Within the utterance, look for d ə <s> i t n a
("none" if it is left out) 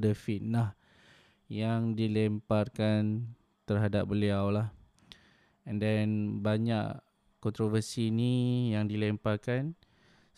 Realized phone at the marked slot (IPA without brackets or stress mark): f